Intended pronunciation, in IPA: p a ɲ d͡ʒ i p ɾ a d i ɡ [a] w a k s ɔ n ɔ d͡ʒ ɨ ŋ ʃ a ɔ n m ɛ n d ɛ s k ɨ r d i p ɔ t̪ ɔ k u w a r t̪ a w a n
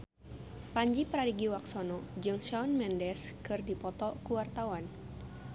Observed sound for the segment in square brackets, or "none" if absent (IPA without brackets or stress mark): i